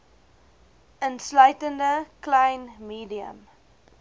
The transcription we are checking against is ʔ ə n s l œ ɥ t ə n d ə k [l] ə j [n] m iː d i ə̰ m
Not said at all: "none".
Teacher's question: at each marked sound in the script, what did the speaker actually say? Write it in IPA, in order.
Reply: l, n

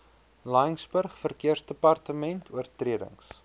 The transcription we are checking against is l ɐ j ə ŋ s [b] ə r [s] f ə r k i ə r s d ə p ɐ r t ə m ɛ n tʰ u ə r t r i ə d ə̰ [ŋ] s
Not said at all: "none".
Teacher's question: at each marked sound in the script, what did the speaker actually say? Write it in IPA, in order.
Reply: b, χ, ŋ

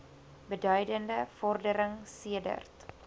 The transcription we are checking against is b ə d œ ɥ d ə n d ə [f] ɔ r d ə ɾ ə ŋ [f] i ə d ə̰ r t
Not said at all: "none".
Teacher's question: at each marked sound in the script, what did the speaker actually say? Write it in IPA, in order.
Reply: f, s

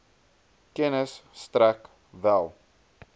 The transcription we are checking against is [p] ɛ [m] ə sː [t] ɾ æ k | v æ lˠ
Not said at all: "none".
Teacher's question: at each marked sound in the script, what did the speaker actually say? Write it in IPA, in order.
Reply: k, n, t

